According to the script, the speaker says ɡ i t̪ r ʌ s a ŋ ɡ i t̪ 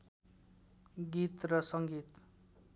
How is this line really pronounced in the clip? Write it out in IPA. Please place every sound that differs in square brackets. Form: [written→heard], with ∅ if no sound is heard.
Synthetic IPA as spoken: ɡ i t̪ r ʌ s [a→ʌ] ŋ ɡ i t̪